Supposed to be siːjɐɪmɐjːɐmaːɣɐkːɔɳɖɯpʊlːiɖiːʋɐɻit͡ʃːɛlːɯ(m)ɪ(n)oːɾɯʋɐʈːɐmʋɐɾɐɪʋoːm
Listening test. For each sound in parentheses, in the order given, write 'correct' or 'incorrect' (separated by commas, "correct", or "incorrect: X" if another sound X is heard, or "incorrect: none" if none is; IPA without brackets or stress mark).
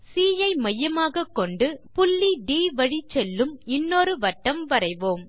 correct, incorrect: nː